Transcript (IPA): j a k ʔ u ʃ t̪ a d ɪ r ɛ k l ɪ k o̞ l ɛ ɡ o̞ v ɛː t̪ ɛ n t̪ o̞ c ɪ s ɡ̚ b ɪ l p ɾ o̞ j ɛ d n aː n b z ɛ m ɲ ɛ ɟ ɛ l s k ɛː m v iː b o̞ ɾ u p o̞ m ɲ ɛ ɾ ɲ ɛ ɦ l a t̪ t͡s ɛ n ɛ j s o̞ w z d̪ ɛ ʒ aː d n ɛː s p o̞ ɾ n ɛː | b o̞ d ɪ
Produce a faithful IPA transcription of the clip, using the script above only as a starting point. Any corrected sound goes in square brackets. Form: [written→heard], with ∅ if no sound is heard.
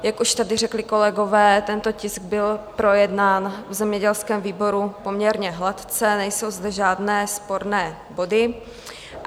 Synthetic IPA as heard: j a k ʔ u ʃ t̪ a d ɪ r ɛ k l ɪ k o̞ l ɛ ɡ o̞ v ɛː t̪ ɛ n t̪ o̞ c ɪ s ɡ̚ b ɪ l p ɾ o̞ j ɛ d n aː n [b→v] z ɛ m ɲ ɛ ɟ ɛ l s k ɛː m v iː b o̞ ɾ u p o̞ m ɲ ɛ ɾ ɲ ɛ ɦ l a t̪ t͡s ɛ n ɛ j s o̞ w z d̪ ɛ ʒ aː d n ɛː s p o̞ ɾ n ɛː | b o̞ d ɪ